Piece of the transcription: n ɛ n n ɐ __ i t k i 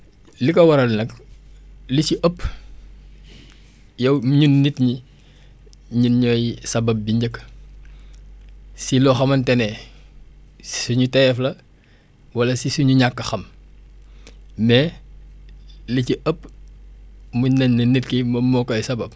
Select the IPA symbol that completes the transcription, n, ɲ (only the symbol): n